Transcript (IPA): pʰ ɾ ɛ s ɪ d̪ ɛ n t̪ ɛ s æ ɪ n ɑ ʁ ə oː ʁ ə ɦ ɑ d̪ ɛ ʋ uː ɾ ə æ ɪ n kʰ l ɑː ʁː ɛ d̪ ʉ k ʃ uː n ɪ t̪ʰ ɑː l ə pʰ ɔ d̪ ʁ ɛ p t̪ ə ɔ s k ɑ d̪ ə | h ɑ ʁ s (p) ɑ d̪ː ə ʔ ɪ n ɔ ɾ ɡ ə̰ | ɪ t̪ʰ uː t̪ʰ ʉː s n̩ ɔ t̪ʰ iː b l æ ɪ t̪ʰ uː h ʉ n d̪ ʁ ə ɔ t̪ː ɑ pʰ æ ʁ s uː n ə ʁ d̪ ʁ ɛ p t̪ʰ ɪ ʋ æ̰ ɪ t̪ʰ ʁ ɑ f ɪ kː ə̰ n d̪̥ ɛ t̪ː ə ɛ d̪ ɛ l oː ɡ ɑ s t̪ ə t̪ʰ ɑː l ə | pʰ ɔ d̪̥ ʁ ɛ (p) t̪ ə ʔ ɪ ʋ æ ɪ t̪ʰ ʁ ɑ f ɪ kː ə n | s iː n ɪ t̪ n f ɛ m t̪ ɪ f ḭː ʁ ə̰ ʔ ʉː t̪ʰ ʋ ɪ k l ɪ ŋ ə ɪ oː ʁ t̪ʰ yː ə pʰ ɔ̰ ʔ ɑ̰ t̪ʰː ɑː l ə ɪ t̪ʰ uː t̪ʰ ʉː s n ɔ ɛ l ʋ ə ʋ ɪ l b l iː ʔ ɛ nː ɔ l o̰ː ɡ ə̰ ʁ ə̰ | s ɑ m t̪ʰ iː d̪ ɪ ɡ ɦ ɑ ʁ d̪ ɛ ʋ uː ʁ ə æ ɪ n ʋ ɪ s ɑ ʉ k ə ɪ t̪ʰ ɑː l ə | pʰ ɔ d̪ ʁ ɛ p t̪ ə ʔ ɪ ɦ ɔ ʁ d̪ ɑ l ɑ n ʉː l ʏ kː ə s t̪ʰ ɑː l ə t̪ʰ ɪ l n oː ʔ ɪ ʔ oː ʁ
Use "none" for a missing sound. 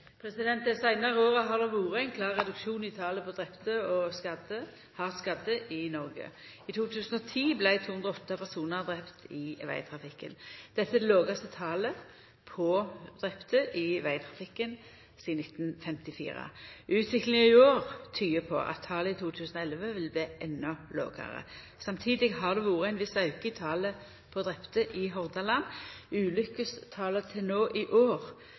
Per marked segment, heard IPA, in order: k, p

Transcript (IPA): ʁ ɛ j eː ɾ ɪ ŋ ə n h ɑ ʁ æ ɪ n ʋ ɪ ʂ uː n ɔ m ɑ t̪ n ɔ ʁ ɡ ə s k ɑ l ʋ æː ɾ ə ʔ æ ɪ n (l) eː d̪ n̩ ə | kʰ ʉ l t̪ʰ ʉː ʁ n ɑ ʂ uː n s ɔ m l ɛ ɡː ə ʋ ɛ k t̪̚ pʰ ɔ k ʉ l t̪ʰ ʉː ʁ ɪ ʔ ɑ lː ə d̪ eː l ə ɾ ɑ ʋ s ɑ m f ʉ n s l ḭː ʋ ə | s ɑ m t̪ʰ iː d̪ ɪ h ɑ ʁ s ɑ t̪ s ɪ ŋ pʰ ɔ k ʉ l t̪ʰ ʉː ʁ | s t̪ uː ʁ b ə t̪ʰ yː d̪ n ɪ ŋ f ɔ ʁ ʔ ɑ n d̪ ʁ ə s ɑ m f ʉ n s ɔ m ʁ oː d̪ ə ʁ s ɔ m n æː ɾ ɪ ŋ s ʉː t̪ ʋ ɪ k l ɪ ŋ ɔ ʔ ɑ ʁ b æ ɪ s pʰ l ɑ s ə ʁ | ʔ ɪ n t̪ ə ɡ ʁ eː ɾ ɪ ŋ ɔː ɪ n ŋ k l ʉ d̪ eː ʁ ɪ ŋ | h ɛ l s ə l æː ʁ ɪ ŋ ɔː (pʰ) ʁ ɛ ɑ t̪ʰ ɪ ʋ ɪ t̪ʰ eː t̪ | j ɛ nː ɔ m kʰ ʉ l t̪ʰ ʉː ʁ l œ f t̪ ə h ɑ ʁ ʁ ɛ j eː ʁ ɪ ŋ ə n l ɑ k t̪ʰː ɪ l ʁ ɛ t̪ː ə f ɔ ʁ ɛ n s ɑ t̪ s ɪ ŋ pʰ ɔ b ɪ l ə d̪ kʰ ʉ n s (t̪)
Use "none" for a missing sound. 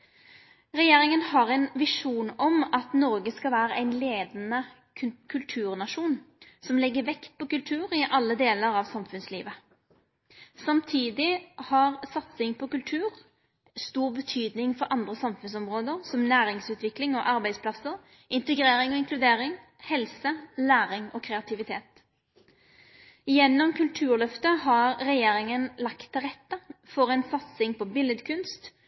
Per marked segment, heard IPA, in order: l, kʰ, t̪

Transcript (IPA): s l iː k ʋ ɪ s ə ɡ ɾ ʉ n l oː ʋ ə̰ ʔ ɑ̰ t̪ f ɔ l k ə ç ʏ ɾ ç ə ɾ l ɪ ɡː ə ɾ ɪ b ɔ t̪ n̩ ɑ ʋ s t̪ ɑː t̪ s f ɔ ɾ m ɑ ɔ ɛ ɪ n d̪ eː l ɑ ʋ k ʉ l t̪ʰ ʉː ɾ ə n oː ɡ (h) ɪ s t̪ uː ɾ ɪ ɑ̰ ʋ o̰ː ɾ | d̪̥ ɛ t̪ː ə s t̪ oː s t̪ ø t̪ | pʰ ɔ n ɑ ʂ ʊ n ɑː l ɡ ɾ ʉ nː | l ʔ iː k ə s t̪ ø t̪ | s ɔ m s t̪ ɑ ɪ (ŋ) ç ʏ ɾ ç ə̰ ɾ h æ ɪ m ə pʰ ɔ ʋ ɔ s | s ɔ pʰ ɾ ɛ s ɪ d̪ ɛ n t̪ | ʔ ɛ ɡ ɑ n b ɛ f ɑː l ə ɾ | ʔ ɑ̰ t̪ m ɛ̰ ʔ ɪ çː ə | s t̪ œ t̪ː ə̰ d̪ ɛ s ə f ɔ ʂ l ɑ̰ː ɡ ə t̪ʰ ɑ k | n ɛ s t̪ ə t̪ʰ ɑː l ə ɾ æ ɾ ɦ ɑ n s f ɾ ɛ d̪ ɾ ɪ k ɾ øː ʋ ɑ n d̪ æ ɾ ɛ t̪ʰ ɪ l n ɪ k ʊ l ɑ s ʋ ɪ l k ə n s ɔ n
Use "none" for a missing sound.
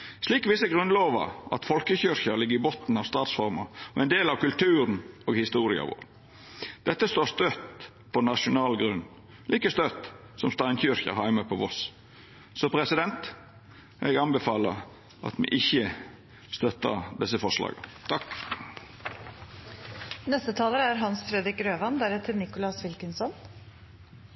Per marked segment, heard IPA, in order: h, n

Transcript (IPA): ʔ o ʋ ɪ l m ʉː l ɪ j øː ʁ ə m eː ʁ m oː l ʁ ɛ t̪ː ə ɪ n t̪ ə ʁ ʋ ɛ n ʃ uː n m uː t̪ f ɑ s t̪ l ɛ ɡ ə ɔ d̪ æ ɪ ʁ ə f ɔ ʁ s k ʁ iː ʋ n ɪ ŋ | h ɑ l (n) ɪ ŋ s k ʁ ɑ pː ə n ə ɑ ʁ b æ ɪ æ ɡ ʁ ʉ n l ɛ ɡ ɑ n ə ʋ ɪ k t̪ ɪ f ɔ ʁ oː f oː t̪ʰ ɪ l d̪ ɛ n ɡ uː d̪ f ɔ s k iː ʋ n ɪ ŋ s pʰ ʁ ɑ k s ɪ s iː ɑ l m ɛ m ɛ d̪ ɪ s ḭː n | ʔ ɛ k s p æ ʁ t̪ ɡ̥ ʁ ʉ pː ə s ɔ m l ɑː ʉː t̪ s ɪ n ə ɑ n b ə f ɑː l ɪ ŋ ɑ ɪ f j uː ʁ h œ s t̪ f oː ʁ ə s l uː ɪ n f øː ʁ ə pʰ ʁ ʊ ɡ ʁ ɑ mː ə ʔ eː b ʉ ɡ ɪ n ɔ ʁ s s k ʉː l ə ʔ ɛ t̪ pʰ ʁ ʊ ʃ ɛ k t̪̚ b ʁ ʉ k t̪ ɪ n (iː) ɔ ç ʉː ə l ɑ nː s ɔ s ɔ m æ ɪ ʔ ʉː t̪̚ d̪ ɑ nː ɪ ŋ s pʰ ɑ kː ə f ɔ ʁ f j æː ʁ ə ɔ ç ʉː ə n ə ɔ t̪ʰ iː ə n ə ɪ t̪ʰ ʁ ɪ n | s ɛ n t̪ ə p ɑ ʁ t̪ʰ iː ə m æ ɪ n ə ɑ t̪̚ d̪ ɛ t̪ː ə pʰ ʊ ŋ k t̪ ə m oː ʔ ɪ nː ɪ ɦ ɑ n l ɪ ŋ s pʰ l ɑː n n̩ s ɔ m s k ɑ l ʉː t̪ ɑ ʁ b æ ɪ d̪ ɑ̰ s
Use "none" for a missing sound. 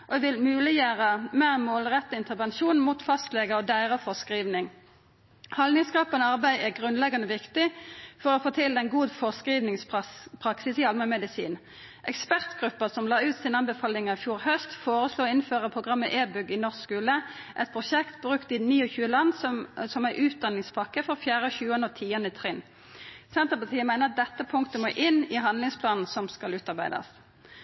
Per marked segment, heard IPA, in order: n, iː

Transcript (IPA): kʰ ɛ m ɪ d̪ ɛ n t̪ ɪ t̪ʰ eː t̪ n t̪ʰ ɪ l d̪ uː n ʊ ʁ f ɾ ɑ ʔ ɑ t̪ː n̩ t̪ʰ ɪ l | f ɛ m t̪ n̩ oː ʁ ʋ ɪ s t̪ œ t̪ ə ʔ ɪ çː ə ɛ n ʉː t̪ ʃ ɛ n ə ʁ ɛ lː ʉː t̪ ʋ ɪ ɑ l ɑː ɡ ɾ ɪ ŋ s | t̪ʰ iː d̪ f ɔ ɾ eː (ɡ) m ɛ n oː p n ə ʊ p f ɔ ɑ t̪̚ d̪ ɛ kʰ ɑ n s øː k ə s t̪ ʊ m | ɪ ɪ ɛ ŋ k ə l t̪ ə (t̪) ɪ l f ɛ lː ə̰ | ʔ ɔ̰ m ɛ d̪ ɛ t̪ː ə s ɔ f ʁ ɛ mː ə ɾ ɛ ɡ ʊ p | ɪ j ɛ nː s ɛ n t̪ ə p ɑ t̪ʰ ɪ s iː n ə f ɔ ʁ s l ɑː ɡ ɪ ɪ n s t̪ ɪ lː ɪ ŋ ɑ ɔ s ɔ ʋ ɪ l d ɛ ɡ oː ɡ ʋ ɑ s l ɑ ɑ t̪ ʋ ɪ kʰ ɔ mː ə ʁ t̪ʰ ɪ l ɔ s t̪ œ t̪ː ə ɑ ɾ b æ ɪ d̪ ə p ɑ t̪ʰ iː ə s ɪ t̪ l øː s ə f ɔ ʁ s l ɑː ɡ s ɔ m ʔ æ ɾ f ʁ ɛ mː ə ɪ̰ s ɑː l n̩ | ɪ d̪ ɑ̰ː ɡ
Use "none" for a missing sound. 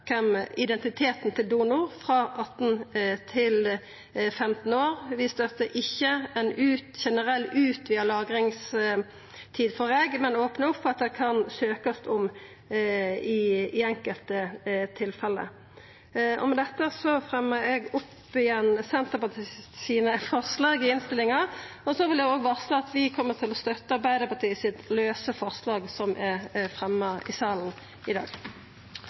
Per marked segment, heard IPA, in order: ɡ, t̪ʰ

